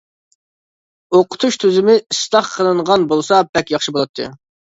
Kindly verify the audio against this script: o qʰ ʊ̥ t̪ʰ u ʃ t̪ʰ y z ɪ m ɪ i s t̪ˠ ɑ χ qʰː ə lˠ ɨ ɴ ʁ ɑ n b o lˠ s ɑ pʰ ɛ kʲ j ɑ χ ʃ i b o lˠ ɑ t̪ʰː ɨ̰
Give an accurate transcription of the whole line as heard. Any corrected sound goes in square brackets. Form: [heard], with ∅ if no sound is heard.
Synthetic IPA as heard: o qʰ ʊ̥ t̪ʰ u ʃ t̪ʰ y z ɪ m ɪ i s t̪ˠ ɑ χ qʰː ə lˠ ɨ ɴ ʁ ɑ n b o lˠ s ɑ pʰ ɛ kʲ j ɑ χ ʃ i b o lˠ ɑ t̪ʰː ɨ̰